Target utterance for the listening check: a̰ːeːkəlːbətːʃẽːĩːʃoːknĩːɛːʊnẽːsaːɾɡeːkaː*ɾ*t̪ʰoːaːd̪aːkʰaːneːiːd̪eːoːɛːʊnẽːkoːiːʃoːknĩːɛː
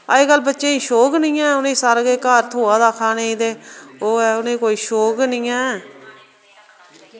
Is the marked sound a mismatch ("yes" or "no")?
no